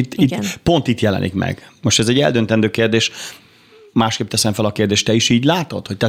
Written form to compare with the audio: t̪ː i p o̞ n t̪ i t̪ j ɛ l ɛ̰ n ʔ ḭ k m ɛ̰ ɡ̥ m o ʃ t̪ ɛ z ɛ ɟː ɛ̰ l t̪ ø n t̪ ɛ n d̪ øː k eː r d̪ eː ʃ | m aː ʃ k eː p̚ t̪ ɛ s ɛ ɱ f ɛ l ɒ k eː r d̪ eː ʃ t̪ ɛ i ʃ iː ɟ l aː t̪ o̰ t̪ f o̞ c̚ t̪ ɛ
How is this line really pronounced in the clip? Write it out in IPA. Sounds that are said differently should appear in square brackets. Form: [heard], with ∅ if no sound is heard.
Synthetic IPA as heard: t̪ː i p o̞ n t̪ i t̪ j ɛ l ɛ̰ n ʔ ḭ k m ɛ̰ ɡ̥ m o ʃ t̪ ɛ z ɛ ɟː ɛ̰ l [d̪] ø n t̪ ɛ n d̪ øː k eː r d̪ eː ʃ | m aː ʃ k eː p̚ t̪ ɛ s ɛ ɱ f ɛ l ɒ k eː r d̪ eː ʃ t̪ ɛ i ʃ iː ɟ l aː t̪ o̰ t̪ [h] o̞ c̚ t̪ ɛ